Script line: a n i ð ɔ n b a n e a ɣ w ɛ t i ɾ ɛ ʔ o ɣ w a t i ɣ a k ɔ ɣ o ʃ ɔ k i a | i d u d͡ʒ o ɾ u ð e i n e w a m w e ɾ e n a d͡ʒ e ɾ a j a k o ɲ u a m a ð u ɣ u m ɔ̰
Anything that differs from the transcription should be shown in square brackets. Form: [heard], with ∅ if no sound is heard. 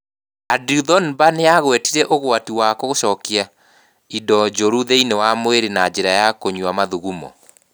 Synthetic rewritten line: a [d] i ð ɔ n b a n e a ɣ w ɛ t i ɾ ɛ ʔ o ɣ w a t i [w] a k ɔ ɣ o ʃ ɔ k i a | i d [ɔ] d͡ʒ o ɾ u ð e i n e w a m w e ɾ e n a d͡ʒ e ɾ a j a k o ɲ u a m a ð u ɣ u m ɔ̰